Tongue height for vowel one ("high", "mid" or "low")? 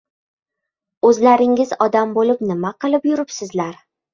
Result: mid